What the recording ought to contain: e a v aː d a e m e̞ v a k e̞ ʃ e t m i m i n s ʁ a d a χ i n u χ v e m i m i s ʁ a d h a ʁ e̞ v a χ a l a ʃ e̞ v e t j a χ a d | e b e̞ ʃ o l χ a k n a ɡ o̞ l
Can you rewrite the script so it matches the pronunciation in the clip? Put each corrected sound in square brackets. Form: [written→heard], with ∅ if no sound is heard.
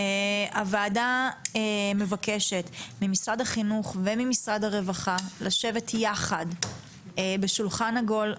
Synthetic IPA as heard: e a v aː d a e m e̞ v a k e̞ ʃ e t m i m i [n→∅] s ʁ a d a χ i n u χ v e m i m i s ʁ a d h a ʁ e̞ v a χ a l a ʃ e̞ v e t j a χ a d | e b e̞ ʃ [o→u] l χ a [k→∅] n a ɡ o̞ l